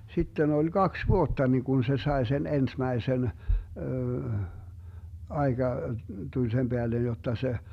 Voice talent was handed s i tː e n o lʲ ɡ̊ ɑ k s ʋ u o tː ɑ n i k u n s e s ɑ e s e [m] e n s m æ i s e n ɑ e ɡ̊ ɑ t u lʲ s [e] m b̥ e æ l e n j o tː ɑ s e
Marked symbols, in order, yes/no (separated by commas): no, yes